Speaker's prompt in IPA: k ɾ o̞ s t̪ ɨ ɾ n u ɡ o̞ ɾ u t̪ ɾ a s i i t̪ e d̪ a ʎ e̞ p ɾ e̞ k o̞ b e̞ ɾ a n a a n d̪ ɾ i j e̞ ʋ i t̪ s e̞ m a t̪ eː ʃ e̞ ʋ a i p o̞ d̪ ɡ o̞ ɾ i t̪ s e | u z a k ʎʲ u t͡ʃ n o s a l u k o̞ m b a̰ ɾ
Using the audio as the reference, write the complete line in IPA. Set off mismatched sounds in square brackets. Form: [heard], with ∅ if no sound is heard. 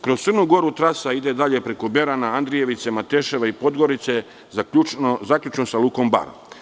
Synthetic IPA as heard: k ɾ o̞ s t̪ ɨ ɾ n u ɡ o̞ ɾ u t̪ ɾ a s [a] i [d̪] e d̪ a ʎ e̞ p ɾ e̞ k o̞ b e̞ ɾ a n a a n d̪ ɾ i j e̞ ʋ i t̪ s e̞ m a t̪ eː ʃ e̞ ʋ a i p o̞ d̪ ɡ o̞ ɾ i t̪ s e | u z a k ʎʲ u t͡ʃ n o s a l u k o̞ m b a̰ ɾ

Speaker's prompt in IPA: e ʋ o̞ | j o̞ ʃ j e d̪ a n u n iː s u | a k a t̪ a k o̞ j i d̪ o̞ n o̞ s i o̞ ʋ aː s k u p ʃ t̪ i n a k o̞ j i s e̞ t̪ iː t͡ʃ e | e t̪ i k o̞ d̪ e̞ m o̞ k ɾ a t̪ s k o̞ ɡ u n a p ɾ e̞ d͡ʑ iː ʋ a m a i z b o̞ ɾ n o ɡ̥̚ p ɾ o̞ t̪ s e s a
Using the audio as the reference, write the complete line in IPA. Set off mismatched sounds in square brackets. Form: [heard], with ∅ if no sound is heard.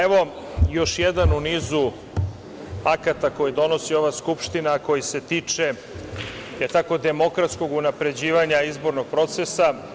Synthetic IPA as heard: e ʋ o̞ | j o̞ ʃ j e d̪ a n u n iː [z] u | a k a t̪ a k o̞ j i d̪ o̞ n o̞ s i o̞ ʋ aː s k u p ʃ t̪ i n a k o̞ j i s e̞ t̪ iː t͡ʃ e | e t̪ [a] k o̞ d̪ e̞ m o̞ k ɾ a t̪ s k o̞ ɡ u n a p ɾ e̞ d͡ʑ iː ʋ a [ɲ] a i z b o̞ ɾ n o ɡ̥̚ p ɾ o̞ t̪ s e s a

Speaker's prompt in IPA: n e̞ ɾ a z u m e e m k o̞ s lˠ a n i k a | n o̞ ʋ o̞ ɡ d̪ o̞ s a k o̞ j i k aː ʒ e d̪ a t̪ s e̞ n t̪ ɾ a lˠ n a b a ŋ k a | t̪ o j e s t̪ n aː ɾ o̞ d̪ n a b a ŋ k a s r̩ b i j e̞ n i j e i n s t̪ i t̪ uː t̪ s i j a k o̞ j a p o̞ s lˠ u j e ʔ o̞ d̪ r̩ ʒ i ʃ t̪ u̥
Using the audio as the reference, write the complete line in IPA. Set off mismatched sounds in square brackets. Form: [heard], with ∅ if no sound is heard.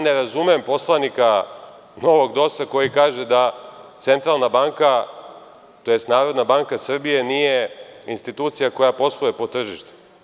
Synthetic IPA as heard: n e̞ ɾ a z u m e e m [p] o̞ s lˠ a n i k a | n o̞ ʋ o̞ ɡ d̪ o̞ s a k o̞ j i k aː ʒ e d̪ a t̪ s e̞ n t̪ ɾ a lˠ n a b a ŋ k a | t̪ o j e s t̪ n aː ɾ o̞ d̪ n a b a ŋ k a s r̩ b i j e̞ n i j e i n s t̪ i t̪ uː t̪ s i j a k o̞ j a p o̞ s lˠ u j e [p] o̞ [t̪] r̩ ʒ i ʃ t̪ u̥

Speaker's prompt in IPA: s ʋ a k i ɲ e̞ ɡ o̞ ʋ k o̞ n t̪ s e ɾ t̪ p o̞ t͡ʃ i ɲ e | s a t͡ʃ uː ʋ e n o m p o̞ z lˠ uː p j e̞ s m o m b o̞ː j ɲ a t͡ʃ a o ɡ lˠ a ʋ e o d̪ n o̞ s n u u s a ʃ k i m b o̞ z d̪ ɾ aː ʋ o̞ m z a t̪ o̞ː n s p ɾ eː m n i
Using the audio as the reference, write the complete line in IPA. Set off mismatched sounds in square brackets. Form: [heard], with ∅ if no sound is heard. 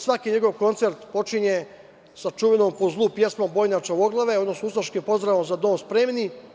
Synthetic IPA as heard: s ʋ a k i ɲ e̞ ɡ o̞ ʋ k o̞ n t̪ s e ɾ t̪ p o̞ t͡ʃ i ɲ e | s a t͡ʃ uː ʋ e n o m p o̞ z lˠ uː p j e̞ s m o m b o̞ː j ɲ a t͡ʃ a o ɡ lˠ a ʋ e o d̪ n o̞ s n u u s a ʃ k i m [p] o̞ z d̪ ɾ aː ʋ o̞ m z a [d̪] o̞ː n s p ɾ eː m n i

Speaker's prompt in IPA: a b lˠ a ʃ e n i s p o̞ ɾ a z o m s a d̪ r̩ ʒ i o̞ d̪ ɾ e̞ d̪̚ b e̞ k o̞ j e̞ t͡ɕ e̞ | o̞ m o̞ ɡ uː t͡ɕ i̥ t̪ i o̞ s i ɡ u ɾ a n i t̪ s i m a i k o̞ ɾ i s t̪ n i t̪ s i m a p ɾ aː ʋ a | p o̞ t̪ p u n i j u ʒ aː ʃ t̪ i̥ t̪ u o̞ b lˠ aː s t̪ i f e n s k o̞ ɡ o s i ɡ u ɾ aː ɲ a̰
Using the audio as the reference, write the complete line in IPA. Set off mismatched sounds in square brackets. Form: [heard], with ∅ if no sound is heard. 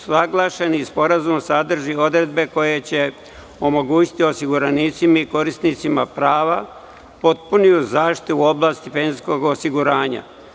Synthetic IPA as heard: a [ɡ] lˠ a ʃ e n i s p o̞ ɾ a z [u] m s a d̪ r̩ ʒ i o̞ d̪ ɾ e̞ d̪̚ b e̞ k o̞ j e̞ t͡ɕ e̞ | o̞ m o̞ ɡ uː t͡ɕ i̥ t̪ i o̞ s i ɡ u ɾ a n i t̪ s i m a i k o̞ ɾ i s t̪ n i t̪ s i m a p ɾ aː ʋ a | p o̞ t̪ p u n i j u [z] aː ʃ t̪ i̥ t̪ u o̞ b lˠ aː s t̪ i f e n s k o̞ ɡ o s i ɡ u ɾ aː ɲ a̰

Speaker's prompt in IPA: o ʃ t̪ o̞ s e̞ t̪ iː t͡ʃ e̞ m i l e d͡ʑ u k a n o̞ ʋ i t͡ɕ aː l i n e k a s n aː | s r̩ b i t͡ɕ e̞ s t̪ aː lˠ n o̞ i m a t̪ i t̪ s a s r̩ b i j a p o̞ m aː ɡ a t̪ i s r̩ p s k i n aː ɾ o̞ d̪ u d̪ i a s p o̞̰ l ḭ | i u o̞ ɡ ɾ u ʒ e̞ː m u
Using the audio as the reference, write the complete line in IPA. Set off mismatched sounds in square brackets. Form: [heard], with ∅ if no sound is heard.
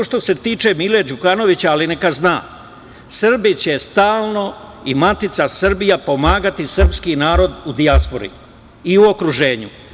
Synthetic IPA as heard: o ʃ t̪ o̞ s e̞ t̪ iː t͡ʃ e̞ m i l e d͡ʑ u k a n o̞ ʋ i t͡ɕ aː l i n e k a [z] n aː | s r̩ b i t͡ɕ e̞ s t̪ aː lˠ n o̞ i m a t̪ i t̪ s a s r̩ b i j a p o̞ m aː ɡ a t̪ i s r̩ p s k i n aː ɾ o̞ d̪ u d̪ i a s p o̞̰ [ɾ] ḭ | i u o̞ [k] ɾ u ʒ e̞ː [ɲ] u

